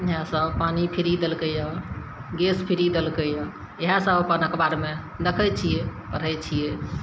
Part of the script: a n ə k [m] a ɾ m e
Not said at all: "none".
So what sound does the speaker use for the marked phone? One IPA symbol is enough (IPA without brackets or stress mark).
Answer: b